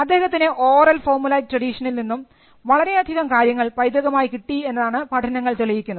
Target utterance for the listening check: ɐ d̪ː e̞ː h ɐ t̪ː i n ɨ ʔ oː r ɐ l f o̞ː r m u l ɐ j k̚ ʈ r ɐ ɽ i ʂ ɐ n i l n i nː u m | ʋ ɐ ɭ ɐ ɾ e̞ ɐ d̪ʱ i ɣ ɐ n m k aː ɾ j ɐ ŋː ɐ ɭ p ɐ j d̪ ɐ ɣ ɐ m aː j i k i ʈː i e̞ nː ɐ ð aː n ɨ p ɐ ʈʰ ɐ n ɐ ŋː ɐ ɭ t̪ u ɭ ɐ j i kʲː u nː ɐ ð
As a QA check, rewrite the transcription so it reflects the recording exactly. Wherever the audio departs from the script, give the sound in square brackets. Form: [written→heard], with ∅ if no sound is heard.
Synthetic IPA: ɐ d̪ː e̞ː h ɐ t̪ː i n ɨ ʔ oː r ɐ l f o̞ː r m u l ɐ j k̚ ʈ r ɐ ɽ i ʂ ɐ n i l n i nː u m | ʋ ɐ ɭ ɐ ɾ e̞ ɐ d̪ʱ i ɣ ɐ [n→∅] m k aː ɾ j ɐ ŋː ɐ ɭ p ɐ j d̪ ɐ ɣ ɐ m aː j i k i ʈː i e̞ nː ɐ ð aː [n→ɳ] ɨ p ɐ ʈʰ ɐ n ɐ ŋː ɐ ɭ t̪ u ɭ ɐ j i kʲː u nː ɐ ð

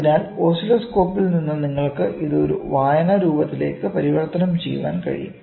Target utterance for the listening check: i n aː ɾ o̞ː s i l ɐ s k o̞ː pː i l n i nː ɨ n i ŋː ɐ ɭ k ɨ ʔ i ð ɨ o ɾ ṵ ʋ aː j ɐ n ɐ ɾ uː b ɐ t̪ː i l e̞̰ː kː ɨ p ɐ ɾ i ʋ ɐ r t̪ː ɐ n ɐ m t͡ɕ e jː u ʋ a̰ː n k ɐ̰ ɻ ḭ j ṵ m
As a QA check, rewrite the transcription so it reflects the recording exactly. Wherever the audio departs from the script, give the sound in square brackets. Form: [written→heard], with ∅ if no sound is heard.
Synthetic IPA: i n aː [ɾ→l] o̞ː s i l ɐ s k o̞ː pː i l n i nː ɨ n i ŋː ɐ ɭ k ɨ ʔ i ð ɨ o ɾ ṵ ʋ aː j ɐ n ɐ ɾ uː b ɐ t̪ː i l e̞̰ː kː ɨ p ɐ ɾ i ʋ ɐ r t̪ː ɐ n ɐ m t͡ɕ e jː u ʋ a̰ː n k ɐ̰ ɻ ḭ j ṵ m

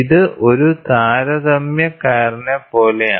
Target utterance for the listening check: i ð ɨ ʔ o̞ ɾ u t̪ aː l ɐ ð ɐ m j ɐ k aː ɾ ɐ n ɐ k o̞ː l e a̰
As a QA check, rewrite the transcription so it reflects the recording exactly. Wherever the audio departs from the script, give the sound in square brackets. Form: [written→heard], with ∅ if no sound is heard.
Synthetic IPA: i ð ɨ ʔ o̞ ɾ u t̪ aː [l→ɾ] ɐ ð ɐ m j ɐ k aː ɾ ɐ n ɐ [k→p] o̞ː l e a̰

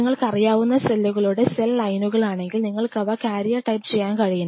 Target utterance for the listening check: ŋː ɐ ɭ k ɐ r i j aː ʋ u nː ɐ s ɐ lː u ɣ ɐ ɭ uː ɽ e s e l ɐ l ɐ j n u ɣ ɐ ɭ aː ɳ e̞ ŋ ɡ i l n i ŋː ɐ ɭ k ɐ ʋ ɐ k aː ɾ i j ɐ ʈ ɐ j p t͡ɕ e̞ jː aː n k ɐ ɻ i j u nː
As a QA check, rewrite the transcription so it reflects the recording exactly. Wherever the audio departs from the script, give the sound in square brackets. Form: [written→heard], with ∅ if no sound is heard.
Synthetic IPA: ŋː ɐ ɭ k ɐ r i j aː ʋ u nː ɐ s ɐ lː u ɣ ɐ ɭ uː ɽ e s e l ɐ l ɐ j n u ɣ ɐ ɭ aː ɳ e̞ ŋ ɡ i l n i ŋː ɐ ɭ k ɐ ʋ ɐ k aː ɾ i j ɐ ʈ ɐ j p t͡ɕ e̞ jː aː n k ɐ ɻ i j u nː

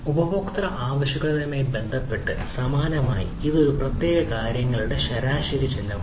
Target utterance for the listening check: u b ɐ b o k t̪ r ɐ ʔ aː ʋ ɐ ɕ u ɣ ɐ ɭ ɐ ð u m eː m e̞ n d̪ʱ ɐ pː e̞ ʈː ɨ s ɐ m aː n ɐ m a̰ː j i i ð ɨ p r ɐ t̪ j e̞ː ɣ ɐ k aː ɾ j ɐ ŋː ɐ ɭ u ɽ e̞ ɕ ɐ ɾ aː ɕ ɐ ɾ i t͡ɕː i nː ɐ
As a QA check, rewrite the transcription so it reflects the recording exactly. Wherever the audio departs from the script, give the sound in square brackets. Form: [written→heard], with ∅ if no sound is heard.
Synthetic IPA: u b ɐ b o k t̪ r ɐ ʔ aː ʋ ɐ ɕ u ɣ ɐ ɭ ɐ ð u m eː [m→b] e̞ n d̪ʱ ɐ pː e̞ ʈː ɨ s ɐ m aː n ɐ m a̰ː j i i ð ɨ p r ɐ t̪ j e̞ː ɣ ɐ k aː ɾ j ɐ ŋː ɐ ɭ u ɽ e̞ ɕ ɐ ɾ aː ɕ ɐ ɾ i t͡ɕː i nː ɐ

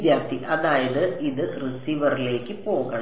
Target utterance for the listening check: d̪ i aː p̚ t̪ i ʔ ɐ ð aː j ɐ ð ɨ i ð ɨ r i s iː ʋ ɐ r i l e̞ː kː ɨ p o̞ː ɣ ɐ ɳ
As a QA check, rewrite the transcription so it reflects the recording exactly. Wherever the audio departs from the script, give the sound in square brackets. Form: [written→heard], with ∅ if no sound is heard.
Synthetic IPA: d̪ [i→j] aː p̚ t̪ i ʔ ɐ ð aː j ɐ ð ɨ i ð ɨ r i s iː ʋ ɐ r i l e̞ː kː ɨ p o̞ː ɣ ɐ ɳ

